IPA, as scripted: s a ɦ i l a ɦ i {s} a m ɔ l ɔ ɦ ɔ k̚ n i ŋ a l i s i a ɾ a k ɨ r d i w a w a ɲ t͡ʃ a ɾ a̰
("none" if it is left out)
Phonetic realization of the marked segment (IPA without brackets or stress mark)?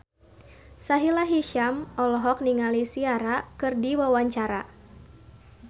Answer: ʃ